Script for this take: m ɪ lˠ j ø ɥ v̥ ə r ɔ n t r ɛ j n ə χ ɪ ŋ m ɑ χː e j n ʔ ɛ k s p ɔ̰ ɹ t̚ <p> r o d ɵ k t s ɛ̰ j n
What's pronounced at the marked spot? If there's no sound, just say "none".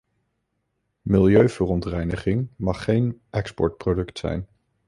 p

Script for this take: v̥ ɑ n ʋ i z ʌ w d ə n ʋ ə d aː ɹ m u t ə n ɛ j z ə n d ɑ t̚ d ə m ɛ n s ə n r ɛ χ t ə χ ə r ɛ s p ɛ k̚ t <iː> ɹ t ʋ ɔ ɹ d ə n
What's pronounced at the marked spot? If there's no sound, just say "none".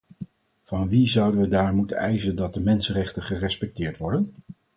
ɪː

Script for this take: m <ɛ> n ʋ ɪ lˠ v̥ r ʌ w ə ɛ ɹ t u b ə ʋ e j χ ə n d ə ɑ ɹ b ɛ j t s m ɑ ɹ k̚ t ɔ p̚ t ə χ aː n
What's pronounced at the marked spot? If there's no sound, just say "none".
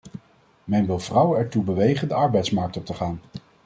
ɛ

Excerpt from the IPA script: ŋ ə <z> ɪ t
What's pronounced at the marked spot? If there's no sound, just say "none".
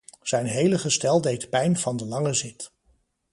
z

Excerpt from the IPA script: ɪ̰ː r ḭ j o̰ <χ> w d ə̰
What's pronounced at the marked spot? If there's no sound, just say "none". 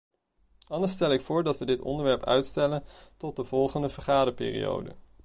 none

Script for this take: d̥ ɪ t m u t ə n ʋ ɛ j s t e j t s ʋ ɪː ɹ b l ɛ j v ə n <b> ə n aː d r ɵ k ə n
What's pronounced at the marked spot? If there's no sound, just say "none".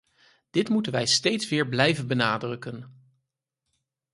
b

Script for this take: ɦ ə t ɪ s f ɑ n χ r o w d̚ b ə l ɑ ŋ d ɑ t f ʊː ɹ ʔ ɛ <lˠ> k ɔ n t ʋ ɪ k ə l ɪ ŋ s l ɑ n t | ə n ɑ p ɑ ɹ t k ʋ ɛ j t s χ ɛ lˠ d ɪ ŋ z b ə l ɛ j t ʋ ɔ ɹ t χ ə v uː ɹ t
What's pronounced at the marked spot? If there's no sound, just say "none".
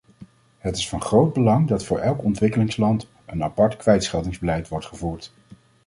lˠ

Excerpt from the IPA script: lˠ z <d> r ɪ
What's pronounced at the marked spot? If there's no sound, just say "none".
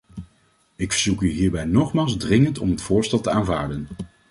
d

